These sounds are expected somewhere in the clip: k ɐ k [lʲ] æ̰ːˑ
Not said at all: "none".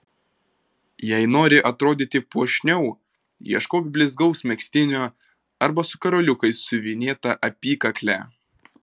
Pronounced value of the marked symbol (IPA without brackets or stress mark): lʲ